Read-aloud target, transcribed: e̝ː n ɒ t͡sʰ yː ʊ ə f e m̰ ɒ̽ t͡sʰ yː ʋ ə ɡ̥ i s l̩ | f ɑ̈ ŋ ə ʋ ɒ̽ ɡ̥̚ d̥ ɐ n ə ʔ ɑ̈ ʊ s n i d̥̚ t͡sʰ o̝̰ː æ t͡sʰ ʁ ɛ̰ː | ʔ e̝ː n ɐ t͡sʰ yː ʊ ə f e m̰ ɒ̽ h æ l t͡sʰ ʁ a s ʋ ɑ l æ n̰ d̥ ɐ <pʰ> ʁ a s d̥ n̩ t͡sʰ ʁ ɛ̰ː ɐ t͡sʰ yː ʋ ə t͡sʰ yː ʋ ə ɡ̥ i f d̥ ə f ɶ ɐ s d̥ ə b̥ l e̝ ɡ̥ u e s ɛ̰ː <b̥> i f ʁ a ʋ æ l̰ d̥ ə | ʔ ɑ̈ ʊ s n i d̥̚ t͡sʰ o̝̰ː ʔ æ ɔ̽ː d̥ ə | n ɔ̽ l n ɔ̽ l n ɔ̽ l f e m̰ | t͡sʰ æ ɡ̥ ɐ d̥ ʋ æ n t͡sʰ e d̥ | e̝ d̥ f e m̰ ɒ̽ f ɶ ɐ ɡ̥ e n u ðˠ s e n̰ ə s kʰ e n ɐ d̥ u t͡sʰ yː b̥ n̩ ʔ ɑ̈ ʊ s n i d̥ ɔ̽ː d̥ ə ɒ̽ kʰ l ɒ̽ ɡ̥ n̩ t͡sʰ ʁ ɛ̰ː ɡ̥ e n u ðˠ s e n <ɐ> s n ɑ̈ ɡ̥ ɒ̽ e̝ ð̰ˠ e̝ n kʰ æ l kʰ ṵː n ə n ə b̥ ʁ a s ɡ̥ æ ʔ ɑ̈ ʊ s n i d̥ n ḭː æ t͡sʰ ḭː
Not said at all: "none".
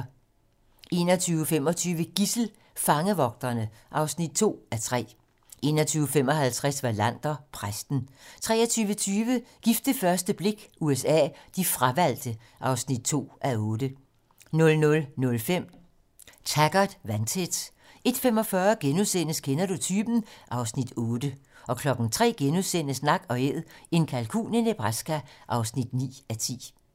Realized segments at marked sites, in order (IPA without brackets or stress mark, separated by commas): pʰ, d̥, ə